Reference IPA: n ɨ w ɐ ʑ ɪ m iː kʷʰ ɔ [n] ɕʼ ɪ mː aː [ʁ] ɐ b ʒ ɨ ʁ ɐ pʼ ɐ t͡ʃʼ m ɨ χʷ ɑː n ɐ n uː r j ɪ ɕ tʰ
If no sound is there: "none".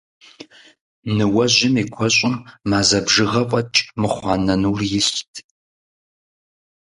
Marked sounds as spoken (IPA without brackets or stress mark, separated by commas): none, z